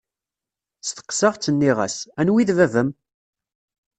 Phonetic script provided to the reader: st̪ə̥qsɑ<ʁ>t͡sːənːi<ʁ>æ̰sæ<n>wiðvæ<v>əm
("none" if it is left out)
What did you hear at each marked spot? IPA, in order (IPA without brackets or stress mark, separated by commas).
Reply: ʁ, ʁ, n, v